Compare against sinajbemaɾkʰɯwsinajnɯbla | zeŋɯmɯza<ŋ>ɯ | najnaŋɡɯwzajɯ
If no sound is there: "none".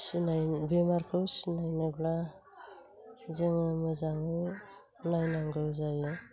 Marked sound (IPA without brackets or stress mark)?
ŋ